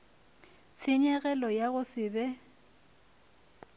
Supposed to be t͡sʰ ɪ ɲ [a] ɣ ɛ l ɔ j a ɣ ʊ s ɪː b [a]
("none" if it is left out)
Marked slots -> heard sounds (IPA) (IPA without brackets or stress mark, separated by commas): ɛ, ɛ